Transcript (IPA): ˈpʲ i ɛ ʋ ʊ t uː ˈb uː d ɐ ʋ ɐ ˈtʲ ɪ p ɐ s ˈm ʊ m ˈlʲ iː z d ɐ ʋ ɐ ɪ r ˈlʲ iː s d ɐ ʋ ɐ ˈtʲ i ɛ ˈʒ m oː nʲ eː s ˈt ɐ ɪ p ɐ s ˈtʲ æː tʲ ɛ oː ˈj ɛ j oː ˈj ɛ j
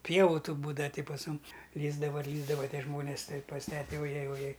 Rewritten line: ˈpʲ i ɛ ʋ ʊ t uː ˈb uː d ɐ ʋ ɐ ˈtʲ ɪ p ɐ s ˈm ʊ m ˈlʲ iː z d ɐ ʋ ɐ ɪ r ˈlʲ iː z d ɐ ʋ ɐ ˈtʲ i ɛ ˈʒ m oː nʲ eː s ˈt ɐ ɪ p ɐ s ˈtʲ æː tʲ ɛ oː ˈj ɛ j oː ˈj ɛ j